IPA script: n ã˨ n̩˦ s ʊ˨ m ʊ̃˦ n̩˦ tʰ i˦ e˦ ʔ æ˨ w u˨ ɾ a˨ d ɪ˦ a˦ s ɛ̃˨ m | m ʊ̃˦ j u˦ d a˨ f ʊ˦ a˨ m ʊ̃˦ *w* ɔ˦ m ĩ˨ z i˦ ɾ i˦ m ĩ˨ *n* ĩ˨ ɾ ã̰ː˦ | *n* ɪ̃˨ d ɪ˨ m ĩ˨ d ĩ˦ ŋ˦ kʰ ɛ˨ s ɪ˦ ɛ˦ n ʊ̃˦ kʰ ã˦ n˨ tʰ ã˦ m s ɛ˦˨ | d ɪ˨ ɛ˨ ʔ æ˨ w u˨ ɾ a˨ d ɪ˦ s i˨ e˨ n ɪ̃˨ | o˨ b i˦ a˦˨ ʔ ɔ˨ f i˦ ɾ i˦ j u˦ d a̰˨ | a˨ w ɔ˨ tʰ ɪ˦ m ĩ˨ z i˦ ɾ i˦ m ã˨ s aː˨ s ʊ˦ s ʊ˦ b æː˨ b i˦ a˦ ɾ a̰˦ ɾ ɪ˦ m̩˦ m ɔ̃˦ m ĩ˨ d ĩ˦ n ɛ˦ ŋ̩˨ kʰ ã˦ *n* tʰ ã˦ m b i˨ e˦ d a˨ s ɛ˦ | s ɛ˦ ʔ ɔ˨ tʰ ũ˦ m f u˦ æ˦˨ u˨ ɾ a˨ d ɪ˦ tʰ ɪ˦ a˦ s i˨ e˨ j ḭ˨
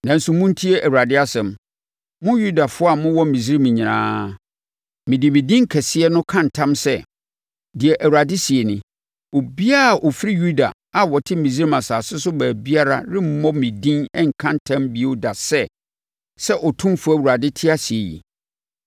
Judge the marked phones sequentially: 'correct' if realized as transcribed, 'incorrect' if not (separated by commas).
correct, incorrect, incorrect, correct